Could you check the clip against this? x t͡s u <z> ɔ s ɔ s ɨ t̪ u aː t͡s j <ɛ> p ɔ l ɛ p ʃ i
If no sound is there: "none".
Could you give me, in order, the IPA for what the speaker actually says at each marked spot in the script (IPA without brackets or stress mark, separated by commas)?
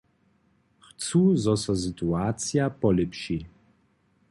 z, a